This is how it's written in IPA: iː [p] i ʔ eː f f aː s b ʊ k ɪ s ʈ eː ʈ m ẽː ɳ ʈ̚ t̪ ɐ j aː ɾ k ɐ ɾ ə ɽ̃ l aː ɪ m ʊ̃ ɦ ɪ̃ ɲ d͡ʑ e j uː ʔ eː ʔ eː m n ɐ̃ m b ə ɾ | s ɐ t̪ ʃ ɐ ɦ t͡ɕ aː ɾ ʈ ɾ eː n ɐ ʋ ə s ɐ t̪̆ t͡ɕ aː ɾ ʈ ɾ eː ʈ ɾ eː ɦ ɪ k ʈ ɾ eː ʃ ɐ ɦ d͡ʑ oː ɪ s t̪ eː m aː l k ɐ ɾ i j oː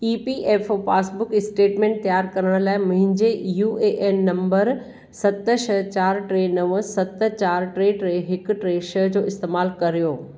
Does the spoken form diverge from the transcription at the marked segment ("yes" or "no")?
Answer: no